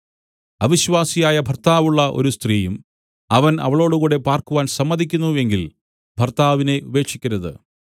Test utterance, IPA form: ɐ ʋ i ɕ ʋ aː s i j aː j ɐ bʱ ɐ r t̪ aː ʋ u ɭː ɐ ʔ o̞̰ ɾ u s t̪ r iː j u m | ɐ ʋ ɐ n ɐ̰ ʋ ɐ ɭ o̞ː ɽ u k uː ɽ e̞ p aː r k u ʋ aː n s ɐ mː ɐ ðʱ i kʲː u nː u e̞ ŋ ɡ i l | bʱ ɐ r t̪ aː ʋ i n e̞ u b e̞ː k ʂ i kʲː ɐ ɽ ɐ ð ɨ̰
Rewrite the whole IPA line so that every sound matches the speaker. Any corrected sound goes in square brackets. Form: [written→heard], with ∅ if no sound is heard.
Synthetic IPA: ɐ ʋ i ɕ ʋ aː s i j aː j ɐ bʱ ɐ r t̪ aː ʋ u ɭː ɐ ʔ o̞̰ ɾ u s t̪ r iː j u m | ɐ ʋ ɐ n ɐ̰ ʋ ɐ ɭ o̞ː ɽ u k uː ɽ e̞ p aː r k u ʋ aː n s ɐ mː ɐ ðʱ i kʲː u nː u e̞ ŋ ɡ i l | bʱ ɐ r t̪ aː ʋ i n e̞ u b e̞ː k ʂ i kʲː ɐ [ɽ→ɾ] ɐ ð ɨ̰